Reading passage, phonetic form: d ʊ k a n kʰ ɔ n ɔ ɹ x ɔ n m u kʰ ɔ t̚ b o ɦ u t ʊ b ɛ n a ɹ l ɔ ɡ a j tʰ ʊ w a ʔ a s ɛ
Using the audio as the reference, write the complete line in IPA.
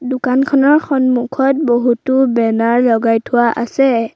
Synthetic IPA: d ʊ k a n kʰ ɔ n ɔ ɹ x ɔ n m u kʰ ɔ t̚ b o ɦ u t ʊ b ɛ n a ɹ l ɔ ɡ a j tʰ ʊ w a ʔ a s ɛ